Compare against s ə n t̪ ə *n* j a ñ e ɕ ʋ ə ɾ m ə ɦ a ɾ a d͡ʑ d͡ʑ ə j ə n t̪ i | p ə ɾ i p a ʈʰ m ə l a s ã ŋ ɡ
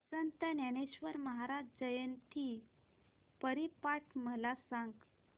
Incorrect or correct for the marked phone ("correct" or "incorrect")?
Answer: correct